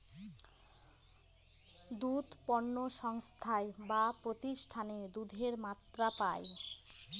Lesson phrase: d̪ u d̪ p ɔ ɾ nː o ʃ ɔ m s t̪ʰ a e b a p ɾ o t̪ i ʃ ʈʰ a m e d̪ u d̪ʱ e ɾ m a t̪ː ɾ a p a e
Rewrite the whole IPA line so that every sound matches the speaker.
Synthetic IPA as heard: d̪ u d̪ p ɔ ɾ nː o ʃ ɔ ŋ s t̪ʰ a e b a p ɾ o t̪ i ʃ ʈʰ a n e d̪ u d̪ʱ e ɾ m a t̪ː ɾ a p a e